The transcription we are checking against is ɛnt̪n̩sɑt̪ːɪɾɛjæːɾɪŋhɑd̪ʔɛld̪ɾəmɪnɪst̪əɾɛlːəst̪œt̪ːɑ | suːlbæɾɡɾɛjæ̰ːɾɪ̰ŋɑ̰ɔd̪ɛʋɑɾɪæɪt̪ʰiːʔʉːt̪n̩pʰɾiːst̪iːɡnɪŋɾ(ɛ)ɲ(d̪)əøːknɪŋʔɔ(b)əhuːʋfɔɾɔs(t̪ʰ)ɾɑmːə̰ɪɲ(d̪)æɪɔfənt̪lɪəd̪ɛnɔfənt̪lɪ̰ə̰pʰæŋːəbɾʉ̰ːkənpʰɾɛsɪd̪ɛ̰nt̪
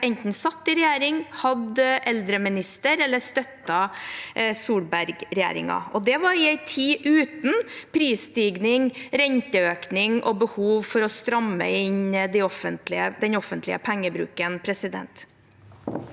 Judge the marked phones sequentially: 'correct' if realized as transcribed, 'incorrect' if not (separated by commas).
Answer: correct, incorrect, correct, incorrect, correct